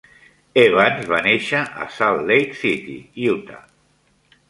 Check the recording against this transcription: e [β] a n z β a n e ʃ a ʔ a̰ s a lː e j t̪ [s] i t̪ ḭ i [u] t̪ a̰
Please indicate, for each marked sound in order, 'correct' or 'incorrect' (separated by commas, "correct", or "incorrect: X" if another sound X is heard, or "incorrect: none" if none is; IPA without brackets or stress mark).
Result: correct, correct, correct